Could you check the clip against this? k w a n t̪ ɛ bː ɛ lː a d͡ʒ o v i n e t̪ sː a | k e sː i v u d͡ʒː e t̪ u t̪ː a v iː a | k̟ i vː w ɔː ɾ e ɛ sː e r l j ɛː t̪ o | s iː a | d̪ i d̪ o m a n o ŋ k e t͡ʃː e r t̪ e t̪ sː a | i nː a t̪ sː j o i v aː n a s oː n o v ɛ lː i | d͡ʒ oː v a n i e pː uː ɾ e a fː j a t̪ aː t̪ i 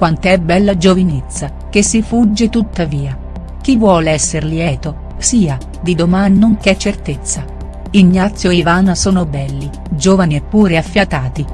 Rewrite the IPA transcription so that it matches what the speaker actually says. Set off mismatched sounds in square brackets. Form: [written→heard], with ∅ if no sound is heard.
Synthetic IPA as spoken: k w a n t̪ ɛ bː ɛ lː a d͡ʒ o v i n e t̪ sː a | k e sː i [v→f] u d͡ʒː e t̪ u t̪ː a v iː a | k̟ i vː w ɔː [ɾ→l] e ɛ sː e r l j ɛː t̪ o | s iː a | d̪ i d̪ o m a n o ŋ k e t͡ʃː e r t̪ e t̪ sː a | i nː a t̪ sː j o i v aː n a s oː n o [v→b] ɛ lː i | d͡ʒ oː v a n i e pː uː ɾ e a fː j a t̪ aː t̪ i

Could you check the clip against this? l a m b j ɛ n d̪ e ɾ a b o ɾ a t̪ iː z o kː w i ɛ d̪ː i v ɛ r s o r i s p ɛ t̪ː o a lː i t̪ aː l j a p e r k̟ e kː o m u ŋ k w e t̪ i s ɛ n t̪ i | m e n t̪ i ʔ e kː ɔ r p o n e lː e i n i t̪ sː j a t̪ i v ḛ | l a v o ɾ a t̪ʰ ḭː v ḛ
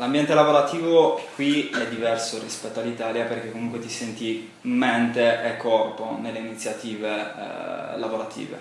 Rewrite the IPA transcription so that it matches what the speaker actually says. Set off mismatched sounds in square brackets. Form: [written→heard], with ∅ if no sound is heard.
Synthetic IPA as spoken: l a m b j ɛ n [d̪→t̪] e [ɾ→l] a [b→v] o ɾ a t̪ iː [z→v] o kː w i ɛ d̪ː i v ɛ r s o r i s p ɛ t̪ː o a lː i t̪ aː l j a p e r k̟ e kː o m u ŋ k w e t̪ i s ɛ n t̪ i | m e n t̪ [i→e] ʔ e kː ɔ r p o n e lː e i n i t̪ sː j a t̪ [i→iː] v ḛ | l a v o ɾ a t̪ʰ ḭː v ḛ

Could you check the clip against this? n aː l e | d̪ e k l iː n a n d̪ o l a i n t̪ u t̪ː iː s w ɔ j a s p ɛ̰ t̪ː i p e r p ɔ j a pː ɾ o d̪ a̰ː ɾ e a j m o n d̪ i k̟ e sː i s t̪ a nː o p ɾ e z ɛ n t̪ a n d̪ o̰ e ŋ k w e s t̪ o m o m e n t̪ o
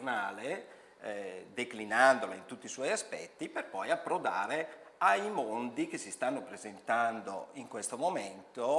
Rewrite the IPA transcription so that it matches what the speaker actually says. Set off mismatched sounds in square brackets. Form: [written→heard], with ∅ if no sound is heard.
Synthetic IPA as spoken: n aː l e | d̪ e k l [iː→i] n a n d̪ o l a i n t̪ u t̪ː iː s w ɔ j a s p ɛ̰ t̪ː i p e r p ɔ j a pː ɾ o d̪ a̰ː ɾ e a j m o n d̪ i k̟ e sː i s t̪ a nː o p ɾ e z [ɛ→e] n t̪ a n d̪ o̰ [e→i] ŋ k w e s t̪ o m o m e n t̪ o

